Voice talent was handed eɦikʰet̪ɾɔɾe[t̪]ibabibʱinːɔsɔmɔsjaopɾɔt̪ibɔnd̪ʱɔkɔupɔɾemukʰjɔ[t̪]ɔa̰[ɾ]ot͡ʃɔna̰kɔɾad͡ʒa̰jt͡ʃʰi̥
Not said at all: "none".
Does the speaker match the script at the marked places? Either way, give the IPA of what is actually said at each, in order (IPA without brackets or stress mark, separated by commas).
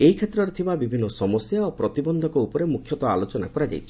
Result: t̪ʰ, t̪, l